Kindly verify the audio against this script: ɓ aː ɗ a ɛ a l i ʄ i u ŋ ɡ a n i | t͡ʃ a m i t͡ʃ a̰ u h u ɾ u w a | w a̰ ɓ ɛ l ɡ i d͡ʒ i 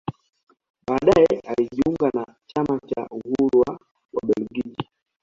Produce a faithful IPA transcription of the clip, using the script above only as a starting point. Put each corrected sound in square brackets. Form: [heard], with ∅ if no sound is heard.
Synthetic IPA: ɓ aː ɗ a ɛ a l i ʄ i u ŋ ɡ a n [a] | t͡ʃ a m [a] t͡ʃ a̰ u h u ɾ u w a | w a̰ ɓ ɛ l ɡ i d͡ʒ i